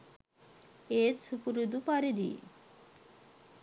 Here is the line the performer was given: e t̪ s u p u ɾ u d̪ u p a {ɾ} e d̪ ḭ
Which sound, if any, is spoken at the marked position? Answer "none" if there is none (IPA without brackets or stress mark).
ɾ